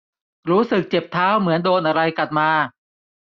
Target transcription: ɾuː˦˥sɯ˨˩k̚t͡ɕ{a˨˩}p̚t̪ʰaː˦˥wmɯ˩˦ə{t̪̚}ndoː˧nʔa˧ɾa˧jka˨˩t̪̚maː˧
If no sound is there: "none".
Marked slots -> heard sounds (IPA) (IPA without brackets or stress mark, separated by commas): e˨˩, none